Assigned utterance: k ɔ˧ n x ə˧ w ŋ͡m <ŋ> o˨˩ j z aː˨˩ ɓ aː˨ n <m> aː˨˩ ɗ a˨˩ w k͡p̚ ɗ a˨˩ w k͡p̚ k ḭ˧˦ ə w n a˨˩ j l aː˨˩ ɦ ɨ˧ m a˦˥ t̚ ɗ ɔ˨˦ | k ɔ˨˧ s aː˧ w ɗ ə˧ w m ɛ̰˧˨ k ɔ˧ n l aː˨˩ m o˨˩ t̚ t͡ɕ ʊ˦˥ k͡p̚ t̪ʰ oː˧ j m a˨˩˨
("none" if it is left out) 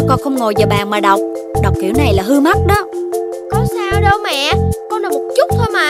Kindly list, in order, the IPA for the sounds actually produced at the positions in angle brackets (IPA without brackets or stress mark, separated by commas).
ŋ, m